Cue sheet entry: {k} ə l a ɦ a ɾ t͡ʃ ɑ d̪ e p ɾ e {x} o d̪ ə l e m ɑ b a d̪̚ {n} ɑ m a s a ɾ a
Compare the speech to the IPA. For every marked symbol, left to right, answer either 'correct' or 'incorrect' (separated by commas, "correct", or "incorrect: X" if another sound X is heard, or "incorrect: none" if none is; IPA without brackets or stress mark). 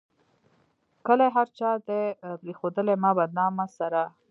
correct, correct, correct